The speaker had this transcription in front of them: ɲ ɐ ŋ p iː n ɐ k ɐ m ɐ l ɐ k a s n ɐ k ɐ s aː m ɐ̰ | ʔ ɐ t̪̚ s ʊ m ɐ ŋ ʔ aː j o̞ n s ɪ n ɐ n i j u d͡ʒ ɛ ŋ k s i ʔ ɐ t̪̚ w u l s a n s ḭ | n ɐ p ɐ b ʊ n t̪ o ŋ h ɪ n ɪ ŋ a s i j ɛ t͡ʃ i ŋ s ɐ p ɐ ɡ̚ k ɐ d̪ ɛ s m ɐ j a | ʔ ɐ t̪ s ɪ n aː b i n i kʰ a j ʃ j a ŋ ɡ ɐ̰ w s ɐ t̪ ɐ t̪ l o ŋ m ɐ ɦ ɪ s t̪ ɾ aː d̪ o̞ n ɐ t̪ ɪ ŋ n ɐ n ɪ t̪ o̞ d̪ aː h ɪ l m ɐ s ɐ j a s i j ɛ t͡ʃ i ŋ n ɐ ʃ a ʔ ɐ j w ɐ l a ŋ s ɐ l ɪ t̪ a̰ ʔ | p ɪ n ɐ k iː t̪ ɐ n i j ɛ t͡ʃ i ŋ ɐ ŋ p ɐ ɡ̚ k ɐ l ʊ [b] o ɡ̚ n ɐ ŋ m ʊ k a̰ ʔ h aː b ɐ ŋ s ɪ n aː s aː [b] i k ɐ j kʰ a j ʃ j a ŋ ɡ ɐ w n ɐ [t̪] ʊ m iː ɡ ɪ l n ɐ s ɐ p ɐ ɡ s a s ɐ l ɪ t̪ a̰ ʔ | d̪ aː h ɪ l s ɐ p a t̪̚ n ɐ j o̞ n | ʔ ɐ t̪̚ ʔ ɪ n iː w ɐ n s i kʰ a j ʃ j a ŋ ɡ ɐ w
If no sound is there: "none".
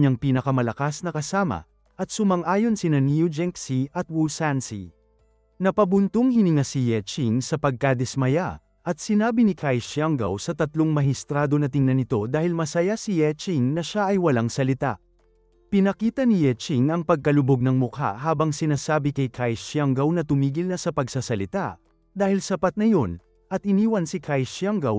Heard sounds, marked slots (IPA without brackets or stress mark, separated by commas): b, b, t̪